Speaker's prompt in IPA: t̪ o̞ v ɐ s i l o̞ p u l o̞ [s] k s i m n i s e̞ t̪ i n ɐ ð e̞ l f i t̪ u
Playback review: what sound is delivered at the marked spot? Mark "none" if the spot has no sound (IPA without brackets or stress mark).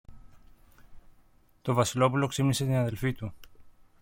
none